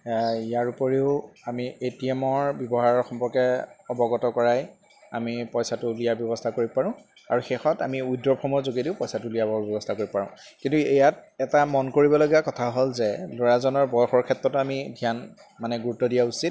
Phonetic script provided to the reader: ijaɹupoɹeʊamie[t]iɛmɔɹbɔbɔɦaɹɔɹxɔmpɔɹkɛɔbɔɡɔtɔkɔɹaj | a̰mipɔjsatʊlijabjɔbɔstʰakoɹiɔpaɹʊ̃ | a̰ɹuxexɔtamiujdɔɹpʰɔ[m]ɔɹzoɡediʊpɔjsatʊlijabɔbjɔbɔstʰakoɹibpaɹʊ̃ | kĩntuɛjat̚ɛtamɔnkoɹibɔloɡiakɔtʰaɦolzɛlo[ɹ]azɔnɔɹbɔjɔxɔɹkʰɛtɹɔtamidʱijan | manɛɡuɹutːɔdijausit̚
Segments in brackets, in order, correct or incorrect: correct, correct, correct

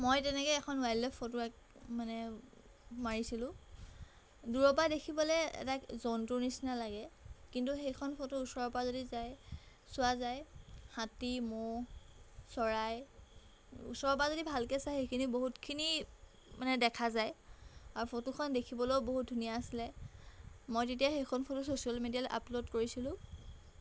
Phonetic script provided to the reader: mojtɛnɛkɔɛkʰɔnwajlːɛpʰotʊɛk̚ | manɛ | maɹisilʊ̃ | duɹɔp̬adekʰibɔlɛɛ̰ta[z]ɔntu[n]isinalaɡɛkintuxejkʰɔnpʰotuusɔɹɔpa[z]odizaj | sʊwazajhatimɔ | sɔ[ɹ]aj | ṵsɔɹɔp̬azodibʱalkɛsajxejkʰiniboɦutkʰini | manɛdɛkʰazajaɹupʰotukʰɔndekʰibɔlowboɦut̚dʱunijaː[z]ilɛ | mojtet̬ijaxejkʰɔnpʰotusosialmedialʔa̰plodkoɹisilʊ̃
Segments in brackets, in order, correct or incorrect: correct, correct, correct, correct, incorrect

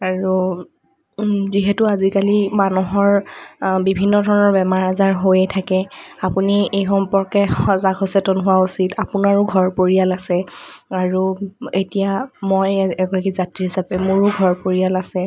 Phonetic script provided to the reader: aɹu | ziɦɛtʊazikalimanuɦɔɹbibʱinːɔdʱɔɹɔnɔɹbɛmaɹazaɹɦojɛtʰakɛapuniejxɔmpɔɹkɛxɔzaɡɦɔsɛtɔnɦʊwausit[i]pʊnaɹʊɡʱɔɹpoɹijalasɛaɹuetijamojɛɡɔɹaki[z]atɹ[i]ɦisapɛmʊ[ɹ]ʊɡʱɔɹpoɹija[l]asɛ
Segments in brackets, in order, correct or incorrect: incorrect, correct, correct, correct, correct

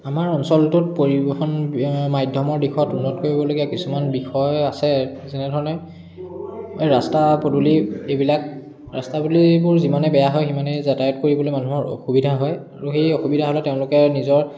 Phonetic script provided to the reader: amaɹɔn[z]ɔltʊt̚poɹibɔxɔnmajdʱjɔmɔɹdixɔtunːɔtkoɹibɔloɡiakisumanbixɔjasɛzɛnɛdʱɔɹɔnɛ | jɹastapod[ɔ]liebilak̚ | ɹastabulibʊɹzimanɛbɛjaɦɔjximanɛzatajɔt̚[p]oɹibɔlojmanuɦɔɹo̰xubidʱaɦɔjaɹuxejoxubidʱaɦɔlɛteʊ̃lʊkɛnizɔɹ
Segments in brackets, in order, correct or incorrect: incorrect, incorrect, incorrect

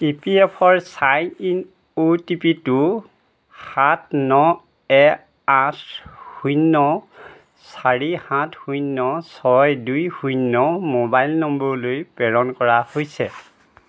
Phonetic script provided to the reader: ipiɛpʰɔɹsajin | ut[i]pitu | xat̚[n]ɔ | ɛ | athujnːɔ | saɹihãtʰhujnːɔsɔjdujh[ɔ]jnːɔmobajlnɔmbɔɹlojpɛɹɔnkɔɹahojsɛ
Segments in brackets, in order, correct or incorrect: correct, correct, incorrect

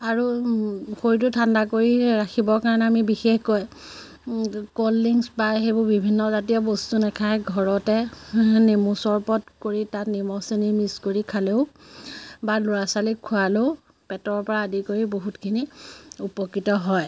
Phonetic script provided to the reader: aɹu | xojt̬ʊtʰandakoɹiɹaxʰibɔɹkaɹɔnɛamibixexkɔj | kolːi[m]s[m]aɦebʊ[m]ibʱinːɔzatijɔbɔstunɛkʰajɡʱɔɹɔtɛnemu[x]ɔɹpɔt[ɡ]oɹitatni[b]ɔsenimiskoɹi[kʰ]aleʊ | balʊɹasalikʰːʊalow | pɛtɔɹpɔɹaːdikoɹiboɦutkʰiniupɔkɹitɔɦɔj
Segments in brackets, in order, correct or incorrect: incorrect, incorrect, incorrect, incorrect, incorrect, incorrect, correct

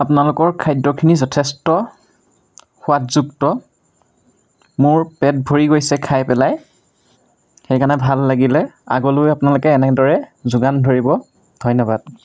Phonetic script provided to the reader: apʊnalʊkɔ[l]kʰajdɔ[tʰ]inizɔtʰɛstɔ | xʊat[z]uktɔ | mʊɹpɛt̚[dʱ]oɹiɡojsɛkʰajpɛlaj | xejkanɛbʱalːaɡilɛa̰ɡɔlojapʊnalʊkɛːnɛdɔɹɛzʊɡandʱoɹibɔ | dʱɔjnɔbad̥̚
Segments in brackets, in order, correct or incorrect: incorrect, incorrect, correct, incorrect

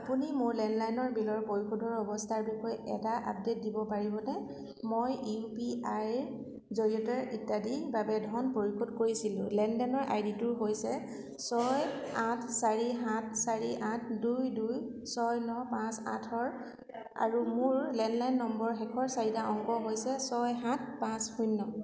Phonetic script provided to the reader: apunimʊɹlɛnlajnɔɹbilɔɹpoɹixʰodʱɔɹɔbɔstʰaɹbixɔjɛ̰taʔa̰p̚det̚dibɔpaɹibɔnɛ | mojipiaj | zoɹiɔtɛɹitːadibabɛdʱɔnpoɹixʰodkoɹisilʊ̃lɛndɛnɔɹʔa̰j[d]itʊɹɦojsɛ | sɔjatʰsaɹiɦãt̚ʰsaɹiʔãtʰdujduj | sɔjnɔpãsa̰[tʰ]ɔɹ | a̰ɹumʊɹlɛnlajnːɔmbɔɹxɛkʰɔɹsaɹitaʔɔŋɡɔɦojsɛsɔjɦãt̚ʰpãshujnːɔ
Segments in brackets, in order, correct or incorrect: correct, correct

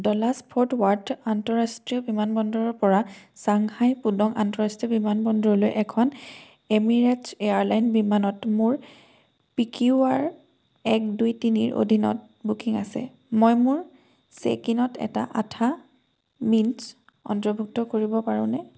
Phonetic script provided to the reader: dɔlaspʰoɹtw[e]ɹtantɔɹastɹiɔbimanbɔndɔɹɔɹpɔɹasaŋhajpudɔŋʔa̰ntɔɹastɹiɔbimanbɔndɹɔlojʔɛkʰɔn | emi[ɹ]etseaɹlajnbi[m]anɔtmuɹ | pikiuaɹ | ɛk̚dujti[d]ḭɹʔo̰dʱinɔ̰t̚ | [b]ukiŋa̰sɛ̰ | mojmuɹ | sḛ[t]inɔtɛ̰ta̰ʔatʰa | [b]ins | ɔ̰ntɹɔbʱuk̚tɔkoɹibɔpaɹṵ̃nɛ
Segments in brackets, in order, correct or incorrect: incorrect, correct, correct, incorrect, correct, incorrect, incorrect

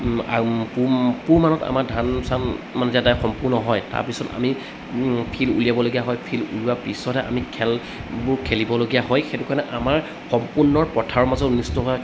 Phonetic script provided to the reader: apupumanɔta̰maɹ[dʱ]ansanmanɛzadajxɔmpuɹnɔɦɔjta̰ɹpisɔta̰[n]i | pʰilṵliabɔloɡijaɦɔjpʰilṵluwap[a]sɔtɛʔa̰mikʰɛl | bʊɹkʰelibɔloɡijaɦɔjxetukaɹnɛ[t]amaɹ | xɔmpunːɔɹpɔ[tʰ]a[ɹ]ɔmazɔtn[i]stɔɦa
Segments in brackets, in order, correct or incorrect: correct, incorrect, incorrect, incorrect, correct, correct, correct

